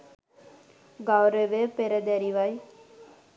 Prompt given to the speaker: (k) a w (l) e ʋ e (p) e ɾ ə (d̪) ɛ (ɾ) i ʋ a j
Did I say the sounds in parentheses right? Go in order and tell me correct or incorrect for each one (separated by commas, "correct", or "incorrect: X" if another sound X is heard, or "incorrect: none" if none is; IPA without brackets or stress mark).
incorrect: ɡ, incorrect: ɾ, correct, correct, correct